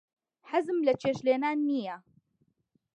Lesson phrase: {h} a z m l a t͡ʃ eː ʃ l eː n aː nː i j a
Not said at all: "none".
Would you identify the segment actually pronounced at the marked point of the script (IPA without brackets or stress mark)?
ħ